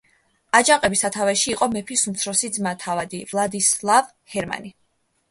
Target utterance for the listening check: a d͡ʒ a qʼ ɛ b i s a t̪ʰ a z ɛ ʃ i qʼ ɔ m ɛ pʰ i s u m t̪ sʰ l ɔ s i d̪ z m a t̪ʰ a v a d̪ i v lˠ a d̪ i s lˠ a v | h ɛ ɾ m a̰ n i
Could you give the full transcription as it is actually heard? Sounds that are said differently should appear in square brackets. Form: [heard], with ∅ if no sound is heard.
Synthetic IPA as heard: a d͡ʒ a qʼ ɛ b i s a t̪ʰ a [v] ɛ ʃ [iː] qʼ ɔ m ɛ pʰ i s u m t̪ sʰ [ɾ] ɔ s i d̪ z m a t̪ʰ a v a d̪ i v lˠ a d̪ i s lˠ a v | h ɛ ɾ m a̰ n i